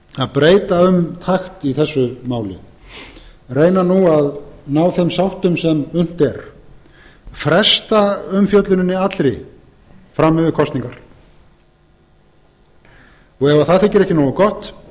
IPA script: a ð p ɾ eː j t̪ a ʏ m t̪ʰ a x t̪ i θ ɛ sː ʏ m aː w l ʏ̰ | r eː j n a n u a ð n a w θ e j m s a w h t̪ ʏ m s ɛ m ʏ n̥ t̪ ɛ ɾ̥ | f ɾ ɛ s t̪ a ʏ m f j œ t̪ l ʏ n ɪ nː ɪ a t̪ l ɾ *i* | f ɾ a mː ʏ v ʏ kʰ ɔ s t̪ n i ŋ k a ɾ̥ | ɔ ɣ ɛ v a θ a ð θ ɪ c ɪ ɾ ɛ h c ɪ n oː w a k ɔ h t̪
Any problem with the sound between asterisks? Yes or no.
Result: yes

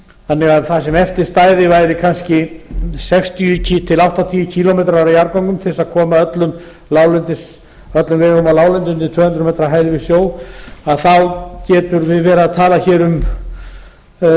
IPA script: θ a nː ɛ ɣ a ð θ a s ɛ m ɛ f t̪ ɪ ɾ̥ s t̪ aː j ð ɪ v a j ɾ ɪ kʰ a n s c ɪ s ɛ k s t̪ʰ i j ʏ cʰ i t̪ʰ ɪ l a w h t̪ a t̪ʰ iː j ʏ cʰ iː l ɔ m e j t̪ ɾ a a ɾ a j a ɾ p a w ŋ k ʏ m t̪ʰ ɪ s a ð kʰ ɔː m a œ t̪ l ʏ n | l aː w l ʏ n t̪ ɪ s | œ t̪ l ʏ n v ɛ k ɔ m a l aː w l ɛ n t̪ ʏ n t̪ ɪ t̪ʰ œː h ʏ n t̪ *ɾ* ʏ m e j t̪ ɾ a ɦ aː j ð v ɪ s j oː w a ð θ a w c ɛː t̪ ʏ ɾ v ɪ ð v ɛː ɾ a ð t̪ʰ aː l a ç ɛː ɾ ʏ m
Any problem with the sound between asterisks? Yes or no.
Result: no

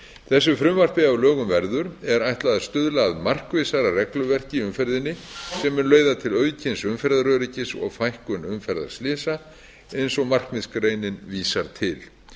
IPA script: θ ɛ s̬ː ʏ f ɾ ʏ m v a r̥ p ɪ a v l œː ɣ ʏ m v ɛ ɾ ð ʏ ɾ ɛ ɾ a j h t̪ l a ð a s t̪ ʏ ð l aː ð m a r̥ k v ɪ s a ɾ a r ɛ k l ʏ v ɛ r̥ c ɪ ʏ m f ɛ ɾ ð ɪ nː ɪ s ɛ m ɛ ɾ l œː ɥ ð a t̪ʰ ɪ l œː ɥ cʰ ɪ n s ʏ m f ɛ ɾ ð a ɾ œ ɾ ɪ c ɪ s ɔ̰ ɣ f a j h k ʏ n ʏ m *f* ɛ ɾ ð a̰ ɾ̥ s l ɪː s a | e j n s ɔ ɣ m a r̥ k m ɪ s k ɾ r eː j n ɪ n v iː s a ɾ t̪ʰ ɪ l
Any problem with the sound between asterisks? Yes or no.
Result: no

